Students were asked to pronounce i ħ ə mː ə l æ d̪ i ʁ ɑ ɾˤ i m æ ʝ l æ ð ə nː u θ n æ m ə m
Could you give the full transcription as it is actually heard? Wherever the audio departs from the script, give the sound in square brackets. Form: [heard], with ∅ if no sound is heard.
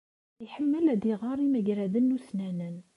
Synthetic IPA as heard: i ħ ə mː ə l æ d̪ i ʁ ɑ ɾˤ i m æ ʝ [ɾ] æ ð ə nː u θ n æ [n] ə [n]